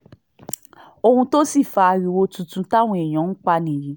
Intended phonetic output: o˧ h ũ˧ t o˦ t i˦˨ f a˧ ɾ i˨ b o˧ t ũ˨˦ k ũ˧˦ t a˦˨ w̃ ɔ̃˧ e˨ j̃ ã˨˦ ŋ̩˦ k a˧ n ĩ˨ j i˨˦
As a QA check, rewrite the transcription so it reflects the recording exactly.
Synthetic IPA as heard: o˧ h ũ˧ t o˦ s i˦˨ f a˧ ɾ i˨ w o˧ t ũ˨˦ t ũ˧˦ t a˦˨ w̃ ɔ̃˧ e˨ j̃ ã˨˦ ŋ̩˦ k͡p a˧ n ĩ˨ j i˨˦